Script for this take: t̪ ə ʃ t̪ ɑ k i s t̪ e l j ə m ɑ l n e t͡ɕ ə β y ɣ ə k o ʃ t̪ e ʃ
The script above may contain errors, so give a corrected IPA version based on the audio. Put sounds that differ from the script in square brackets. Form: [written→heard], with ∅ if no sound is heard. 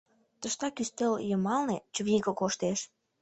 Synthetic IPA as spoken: t̪ ə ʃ t̪ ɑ k [i→y] s t̪ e l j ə m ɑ l n e t͡ɕ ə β [y→i] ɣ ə k o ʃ t̪ e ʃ